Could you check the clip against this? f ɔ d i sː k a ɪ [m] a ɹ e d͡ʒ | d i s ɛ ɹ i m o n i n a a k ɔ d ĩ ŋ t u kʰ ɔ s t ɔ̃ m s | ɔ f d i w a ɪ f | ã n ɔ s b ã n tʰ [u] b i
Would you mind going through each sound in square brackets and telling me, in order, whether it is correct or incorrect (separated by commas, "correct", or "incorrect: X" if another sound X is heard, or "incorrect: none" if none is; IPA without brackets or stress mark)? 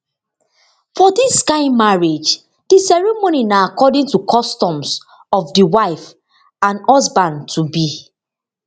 correct, correct